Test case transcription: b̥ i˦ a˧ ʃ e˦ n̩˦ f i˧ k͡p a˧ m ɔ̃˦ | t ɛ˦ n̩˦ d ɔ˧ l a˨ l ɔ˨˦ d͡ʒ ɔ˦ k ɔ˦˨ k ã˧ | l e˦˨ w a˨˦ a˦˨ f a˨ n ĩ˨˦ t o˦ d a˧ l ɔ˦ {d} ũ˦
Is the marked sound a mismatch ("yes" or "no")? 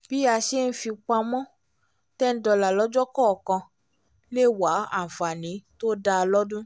no